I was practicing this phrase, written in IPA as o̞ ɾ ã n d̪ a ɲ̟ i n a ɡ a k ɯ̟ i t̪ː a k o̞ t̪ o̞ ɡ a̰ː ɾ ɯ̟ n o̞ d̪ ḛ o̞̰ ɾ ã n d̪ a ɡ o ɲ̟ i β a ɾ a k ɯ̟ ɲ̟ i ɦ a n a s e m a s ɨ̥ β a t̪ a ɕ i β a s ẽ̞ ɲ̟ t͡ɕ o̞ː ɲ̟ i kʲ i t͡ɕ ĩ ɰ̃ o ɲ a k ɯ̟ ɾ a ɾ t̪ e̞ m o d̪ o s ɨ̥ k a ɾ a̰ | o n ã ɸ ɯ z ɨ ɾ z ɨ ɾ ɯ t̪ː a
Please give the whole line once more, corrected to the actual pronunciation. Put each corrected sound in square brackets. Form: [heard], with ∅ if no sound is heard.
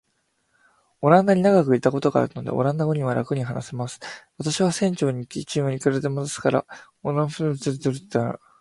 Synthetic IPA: o̞ ɾ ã n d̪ a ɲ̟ i n a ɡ a k ɯ̟ i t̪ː a k o̞ t̪ o̞ ɡ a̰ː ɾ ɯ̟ n o̞ d̪ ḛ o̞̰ ɾ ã n d̪ a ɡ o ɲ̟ i β a ɾ a k ɯ̟ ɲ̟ i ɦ a n a s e m a s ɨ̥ β a t̪ a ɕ i β a s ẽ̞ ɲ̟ t͡ɕ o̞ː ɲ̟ i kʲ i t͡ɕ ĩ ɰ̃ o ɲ [i] k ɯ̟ ɾ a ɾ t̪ e̞ m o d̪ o s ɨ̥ k a ɾ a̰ | o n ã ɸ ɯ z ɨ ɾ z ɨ ɾ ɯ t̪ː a